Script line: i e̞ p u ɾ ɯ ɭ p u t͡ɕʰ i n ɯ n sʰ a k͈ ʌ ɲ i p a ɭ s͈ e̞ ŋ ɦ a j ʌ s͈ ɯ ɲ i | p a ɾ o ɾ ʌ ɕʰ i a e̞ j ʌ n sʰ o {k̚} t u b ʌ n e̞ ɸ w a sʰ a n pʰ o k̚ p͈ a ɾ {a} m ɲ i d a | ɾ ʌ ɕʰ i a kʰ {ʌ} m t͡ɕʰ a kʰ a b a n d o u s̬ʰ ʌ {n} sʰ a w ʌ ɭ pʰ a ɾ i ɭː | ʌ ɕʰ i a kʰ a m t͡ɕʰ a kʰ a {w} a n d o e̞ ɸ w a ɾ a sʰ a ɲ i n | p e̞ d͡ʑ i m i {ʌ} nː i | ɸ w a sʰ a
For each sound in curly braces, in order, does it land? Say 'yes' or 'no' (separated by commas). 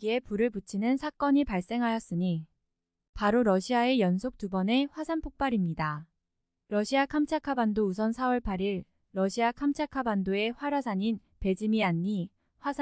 yes, no, no, yes, no, no